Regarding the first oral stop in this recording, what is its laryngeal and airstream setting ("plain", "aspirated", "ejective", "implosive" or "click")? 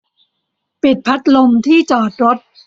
plain